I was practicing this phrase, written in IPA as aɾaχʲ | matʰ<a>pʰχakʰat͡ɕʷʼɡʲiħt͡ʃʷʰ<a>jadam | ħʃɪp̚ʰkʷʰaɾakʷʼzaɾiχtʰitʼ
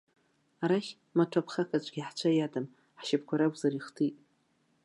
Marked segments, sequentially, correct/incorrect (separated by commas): correct, correct